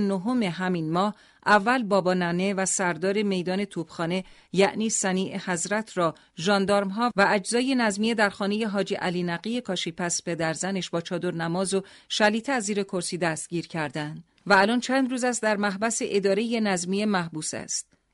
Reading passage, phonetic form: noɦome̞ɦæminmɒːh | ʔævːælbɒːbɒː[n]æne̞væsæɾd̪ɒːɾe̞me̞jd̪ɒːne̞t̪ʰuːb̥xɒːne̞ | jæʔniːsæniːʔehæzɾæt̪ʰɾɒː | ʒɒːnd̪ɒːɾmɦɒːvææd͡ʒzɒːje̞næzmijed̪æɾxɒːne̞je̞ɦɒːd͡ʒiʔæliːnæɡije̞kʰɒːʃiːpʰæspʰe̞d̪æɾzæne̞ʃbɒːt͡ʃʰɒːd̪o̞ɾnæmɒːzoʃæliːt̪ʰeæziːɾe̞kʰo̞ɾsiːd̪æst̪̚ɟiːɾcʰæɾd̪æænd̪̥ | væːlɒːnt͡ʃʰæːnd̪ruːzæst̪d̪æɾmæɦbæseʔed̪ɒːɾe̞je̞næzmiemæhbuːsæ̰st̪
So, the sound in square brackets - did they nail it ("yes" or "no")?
yes